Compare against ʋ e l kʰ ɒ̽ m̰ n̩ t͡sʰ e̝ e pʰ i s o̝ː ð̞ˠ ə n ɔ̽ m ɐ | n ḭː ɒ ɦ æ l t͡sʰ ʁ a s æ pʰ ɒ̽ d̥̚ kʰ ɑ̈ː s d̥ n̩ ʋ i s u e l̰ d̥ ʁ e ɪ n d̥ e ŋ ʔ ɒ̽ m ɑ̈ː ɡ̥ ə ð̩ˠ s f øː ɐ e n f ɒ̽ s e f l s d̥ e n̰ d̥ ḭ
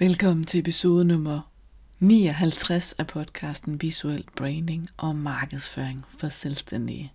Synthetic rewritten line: ʋ e l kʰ ɒ̽ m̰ n̩ t͡sʰ e̝ e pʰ i s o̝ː ð̞ˠ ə n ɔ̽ m ɐ | n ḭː ɒ ɦ æ l t͡sʰ ʁ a s æ pʰ ɒ̽ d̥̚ kʰ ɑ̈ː s d̥ n̩ ʋ i s u e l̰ b̥ ʁ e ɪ n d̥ e ŋ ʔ ɒ̽ m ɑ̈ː ɡ̥ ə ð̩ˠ s f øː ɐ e ŋ f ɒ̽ s e l s d̥ e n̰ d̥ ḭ